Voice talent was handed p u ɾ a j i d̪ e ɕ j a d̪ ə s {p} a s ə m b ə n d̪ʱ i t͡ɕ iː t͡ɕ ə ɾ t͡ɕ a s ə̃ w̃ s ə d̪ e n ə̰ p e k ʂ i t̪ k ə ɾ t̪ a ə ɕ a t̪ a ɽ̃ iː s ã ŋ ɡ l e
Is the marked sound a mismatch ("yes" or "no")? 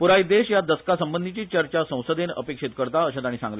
yes